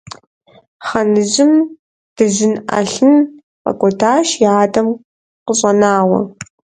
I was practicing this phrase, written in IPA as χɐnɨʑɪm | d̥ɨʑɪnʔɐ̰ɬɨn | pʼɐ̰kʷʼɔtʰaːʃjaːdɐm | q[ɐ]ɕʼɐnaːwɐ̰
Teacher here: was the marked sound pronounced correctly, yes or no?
no